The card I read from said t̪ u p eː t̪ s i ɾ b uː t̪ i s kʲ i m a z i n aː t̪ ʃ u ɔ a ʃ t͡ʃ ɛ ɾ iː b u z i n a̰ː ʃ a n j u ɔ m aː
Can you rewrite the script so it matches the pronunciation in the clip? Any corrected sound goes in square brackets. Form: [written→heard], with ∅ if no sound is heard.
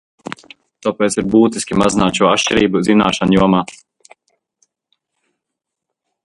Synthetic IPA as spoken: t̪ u p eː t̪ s i ɾ b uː t̪ i s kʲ i m a z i n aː t̪ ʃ u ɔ a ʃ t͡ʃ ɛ ɾ iː b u z i n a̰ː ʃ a n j u ɔ m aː